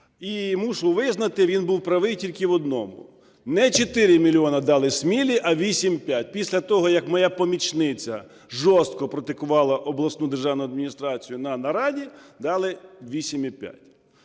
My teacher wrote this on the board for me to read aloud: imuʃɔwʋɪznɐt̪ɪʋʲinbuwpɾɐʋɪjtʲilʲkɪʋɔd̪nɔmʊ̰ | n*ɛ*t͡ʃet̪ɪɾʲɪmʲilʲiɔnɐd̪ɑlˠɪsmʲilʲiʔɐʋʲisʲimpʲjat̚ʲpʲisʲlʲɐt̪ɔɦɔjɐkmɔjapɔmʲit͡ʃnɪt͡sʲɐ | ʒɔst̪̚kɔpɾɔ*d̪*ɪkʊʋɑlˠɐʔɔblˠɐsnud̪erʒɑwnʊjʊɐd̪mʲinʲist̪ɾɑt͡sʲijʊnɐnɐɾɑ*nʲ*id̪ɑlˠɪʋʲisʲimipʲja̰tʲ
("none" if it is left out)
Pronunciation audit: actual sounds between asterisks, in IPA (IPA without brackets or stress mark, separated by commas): ɛ, t̪, dʲ